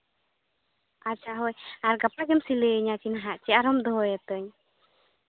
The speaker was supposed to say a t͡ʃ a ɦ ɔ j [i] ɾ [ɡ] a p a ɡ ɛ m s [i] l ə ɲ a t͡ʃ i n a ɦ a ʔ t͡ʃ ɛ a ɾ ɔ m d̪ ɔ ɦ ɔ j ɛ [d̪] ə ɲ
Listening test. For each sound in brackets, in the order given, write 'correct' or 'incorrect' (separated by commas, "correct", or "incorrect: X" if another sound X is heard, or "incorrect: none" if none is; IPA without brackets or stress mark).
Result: incorrect: a, correct, correct, incorrect: t̪